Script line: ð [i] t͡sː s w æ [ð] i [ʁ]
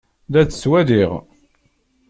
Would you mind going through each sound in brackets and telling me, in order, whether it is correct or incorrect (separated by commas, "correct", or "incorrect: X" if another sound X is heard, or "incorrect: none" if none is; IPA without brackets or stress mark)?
incorrect: æ, correct, correct